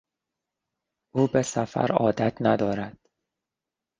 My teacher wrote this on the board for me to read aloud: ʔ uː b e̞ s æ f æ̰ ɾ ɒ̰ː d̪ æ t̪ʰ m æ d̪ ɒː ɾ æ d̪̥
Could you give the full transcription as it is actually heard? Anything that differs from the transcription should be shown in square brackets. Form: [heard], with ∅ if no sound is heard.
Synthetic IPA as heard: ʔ uː b e̞ s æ f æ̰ ɾ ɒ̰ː d̪ æ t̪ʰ [n] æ d̪ ɒː ɾ æ d̪̥